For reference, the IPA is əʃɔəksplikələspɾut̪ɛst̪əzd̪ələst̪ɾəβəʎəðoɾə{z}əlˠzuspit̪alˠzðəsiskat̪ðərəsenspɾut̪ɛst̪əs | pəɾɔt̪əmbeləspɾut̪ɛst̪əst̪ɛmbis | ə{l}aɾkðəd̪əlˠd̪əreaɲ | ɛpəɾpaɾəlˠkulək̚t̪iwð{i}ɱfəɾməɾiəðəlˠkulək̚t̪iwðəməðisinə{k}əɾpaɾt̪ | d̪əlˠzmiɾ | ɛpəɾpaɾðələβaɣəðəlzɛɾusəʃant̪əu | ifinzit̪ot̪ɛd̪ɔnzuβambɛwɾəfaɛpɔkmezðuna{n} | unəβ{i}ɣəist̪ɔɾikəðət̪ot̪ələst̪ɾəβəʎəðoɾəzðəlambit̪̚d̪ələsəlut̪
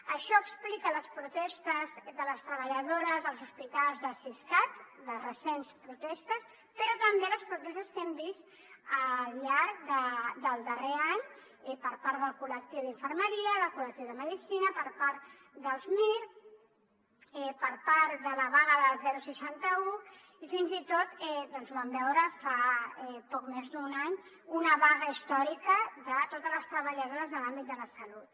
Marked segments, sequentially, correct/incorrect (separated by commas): correct, incorrect, correct, incorrect, incorrect, incorrect